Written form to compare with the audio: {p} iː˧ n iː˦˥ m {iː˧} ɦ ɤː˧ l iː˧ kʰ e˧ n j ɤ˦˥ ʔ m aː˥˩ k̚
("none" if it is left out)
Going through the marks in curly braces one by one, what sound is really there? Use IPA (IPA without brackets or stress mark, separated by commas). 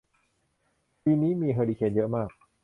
p, iː˧